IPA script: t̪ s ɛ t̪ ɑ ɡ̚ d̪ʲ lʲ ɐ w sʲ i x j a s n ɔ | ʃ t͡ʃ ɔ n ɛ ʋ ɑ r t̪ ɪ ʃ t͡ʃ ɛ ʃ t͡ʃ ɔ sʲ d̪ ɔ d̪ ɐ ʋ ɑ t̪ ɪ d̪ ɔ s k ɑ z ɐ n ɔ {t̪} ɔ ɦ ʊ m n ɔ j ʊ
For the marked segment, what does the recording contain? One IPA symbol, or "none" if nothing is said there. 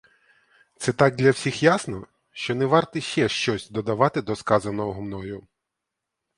none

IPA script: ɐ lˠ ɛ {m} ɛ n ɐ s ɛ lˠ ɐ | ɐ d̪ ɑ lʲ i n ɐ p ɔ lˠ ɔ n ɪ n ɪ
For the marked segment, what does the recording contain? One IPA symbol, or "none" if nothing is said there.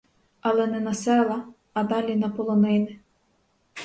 n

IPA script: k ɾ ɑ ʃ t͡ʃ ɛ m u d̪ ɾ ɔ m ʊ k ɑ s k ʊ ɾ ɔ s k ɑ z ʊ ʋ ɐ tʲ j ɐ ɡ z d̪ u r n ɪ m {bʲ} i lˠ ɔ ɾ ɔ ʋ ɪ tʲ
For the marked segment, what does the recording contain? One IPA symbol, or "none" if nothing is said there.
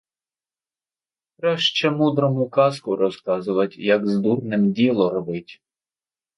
dʲ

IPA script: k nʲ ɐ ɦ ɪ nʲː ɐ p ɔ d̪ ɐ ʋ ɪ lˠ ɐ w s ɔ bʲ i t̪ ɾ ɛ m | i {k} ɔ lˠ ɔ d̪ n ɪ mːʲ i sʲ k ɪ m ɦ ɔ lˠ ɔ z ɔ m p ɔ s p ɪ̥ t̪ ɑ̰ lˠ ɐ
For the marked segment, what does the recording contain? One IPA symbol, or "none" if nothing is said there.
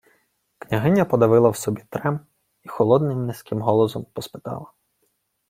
x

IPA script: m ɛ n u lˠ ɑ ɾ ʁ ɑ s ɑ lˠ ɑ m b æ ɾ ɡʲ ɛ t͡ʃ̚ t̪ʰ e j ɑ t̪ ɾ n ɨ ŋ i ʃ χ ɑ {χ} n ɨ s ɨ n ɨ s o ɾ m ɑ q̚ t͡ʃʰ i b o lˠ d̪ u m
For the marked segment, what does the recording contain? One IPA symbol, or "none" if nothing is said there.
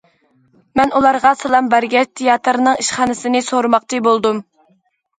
none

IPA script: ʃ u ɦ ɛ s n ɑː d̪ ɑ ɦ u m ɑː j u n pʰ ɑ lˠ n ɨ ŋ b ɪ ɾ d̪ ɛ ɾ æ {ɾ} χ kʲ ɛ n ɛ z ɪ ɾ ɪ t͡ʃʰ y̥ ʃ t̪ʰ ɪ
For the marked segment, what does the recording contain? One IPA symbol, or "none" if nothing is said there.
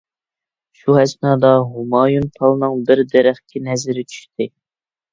none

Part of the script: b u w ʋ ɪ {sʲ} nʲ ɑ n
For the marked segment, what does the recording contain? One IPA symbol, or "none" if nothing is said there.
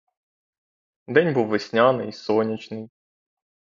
sʲ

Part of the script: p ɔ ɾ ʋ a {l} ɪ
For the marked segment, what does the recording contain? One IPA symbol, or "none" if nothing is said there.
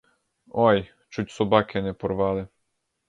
l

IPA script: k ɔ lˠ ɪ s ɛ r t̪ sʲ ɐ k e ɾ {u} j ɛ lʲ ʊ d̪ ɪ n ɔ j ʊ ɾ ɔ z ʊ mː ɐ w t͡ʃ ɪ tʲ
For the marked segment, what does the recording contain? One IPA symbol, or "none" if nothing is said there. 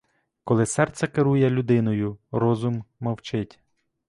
u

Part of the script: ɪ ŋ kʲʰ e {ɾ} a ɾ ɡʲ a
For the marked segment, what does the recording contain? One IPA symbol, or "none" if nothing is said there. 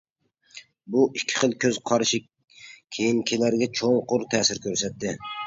l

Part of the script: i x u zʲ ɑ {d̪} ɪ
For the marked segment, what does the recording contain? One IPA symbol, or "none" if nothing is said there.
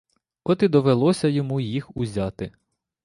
t̪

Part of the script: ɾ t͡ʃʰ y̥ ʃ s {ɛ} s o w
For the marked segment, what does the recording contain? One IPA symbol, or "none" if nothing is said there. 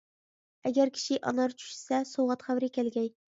ɛ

